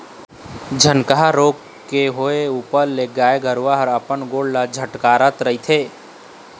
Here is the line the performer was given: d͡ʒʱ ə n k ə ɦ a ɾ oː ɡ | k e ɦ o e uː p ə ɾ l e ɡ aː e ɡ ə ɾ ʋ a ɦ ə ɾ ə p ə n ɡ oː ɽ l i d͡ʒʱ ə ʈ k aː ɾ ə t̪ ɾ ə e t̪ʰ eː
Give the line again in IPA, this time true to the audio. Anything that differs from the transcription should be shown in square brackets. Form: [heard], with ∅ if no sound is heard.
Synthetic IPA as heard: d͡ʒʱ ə n k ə ɦ a ɾ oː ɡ | k e ɦ o e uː p ə ɾ l e ɡ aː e ɡ ə ɾ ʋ a ɦ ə ɾ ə p ə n ɡ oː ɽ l [a] d͡ʒʱ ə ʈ k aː ɾ ə t̪ ɾ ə [i] t̪ʰ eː